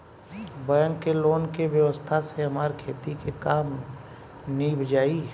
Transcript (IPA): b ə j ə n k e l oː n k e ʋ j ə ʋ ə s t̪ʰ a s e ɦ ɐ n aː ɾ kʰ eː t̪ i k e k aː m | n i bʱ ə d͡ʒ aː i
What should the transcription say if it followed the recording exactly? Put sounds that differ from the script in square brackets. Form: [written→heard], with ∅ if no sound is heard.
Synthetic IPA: b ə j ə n k e l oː n k e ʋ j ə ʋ ə s t̪ʰ a s e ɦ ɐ [n→m] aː ɾ kʰ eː t̪ i k e k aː m | n i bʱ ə d͡ʒ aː i